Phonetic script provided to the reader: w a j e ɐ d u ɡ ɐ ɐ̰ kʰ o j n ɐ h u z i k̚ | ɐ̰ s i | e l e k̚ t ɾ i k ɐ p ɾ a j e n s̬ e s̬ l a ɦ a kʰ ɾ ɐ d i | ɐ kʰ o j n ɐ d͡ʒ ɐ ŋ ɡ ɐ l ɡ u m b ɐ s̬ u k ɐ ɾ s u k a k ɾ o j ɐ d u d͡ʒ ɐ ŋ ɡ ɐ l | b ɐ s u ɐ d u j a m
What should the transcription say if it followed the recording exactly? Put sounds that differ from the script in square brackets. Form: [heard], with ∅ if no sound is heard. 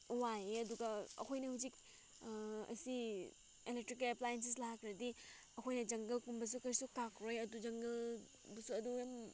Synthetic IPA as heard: w a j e ɐ d u ɡ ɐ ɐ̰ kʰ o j n ɐ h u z i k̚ | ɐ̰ s i | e l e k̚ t ɾ i k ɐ p [l] a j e n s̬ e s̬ l a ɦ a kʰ ɾ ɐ d i | ɐ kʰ o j n ɐ d͡ʒ ɐ ŋ ɡ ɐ l [k] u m b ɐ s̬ u k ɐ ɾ s u k a k ɾ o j ɐ d u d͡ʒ ɐ ŋ ɡ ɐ l | b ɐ s u ɐ d u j a m